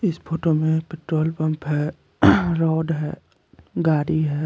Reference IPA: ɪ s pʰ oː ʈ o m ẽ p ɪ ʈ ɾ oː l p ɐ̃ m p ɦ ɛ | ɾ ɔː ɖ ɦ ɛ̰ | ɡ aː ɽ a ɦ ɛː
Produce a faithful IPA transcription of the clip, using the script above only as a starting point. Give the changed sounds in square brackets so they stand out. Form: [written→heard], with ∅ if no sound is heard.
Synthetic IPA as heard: ɪ s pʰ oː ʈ o m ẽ p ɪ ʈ ɾ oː l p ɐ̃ m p ɦ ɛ | ɾ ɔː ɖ ɦ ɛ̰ | ɡ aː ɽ [a→i] ɦ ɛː